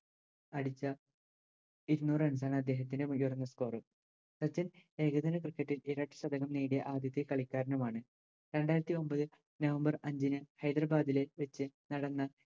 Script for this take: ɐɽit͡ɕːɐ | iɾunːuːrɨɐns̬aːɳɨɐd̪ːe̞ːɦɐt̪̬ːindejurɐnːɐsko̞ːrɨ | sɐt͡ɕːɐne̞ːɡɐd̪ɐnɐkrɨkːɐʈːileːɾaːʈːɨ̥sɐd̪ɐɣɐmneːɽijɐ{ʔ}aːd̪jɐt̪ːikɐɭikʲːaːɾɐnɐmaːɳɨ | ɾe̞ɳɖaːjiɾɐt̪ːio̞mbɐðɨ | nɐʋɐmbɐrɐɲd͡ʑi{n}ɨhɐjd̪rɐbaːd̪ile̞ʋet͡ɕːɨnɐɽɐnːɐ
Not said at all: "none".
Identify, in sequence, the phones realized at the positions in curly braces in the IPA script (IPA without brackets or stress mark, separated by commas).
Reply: ʔ, n